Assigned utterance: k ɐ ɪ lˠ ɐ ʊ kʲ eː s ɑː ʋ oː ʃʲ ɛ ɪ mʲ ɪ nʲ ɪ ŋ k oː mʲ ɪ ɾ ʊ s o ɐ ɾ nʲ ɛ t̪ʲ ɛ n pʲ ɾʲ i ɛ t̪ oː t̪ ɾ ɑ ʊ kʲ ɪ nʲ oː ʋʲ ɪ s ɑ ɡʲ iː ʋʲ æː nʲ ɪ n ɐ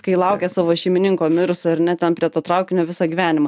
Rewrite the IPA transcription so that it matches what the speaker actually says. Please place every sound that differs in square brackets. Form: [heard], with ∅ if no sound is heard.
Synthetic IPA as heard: k ɐ ɪ lˠ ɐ ʊ kʲ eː s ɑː ʋ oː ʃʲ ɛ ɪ mʲ ɪ nʲ ɪ ŋ k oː mʲ ɪ ɾ ʊ s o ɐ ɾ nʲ ɛ t̪ʲ ɛ n pʲ ɾʲ i ɛ t̪ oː t̪ ɾ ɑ ʊ kʲ ɪ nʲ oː ʋʲ ɪ s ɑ ɡʲ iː ʋʲ æː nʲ ɪ [m] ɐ